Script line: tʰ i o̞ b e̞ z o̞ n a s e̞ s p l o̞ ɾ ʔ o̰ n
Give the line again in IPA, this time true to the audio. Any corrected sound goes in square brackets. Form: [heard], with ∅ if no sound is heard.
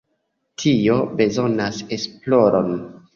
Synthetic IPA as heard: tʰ i o̞ b e̞ z o̞ n a s e̞ s p l o̞ ɾ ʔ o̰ n